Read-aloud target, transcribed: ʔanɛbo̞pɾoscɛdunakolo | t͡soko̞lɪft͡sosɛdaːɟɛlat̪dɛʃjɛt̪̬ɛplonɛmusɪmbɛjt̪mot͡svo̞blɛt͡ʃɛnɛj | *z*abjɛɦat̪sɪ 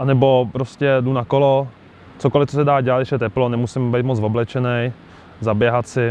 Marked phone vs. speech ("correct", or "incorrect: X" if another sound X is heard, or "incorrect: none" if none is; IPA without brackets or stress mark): correct